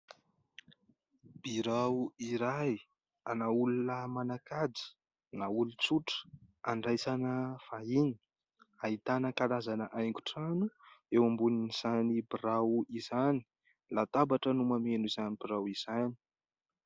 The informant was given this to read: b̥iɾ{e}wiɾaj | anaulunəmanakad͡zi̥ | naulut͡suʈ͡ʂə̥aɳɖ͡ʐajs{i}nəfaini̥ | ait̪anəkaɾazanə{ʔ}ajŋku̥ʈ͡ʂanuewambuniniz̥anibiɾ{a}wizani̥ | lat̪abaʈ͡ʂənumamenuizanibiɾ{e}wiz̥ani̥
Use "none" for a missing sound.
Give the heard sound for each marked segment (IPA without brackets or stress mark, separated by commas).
a, a, ʔ, a, a